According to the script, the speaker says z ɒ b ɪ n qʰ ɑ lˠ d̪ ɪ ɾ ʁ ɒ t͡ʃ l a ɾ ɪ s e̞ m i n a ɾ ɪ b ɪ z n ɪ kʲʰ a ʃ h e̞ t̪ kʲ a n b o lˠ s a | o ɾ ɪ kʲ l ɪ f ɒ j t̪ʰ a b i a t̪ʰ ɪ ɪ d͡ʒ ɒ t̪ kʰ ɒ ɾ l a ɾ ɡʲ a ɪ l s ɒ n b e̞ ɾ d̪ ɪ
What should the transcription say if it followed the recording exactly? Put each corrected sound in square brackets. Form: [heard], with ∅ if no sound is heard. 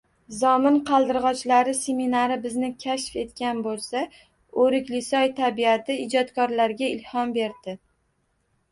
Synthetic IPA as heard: z ɒ [m] ɪ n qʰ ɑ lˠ d̪ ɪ ɾ ʁ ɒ t͡ʃ l a ɾ ɪ s e̞ m i n a ɾ ɪ b ɪ z n ɪ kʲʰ a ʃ [f] e̞ t̪ kʲ a n b o lˠ s a | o ɾ ɪ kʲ l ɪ [s] ɒ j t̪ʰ a b i a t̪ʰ ɪ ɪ d͡ʒ ɒ t̪ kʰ ɒ ɾ l a ɾ ɡʲ a ɪ l [h] ɒ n b e̞ ɾ d̪ ɪ